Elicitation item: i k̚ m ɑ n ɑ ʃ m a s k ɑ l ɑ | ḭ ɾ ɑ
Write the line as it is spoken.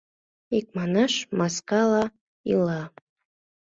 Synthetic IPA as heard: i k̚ m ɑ n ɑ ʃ m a s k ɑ l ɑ | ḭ l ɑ